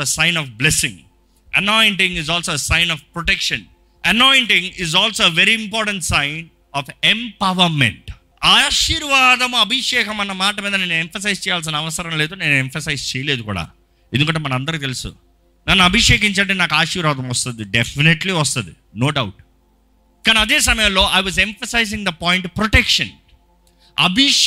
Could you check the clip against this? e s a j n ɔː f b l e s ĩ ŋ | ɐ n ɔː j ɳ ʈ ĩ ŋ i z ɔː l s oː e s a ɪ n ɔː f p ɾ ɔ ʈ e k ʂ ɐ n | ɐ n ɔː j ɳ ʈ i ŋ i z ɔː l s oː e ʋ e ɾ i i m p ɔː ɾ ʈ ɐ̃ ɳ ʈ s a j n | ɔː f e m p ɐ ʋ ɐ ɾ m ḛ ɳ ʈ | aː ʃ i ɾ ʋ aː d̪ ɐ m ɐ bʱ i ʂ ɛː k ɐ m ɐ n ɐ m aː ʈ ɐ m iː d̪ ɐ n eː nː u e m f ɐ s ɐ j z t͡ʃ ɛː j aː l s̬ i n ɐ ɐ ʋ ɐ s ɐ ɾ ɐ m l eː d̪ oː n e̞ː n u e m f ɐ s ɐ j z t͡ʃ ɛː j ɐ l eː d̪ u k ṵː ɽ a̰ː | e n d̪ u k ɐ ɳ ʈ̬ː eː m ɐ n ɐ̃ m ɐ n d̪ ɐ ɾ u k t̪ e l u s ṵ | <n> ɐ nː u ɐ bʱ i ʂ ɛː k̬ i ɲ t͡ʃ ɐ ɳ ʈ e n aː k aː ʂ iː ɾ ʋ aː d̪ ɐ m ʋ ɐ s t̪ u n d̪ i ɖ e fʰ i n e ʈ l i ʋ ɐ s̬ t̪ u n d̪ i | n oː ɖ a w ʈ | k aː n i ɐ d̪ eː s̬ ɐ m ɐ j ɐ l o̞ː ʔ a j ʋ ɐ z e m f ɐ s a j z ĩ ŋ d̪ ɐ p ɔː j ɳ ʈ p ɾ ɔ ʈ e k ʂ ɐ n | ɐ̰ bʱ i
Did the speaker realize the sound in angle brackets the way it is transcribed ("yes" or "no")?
yes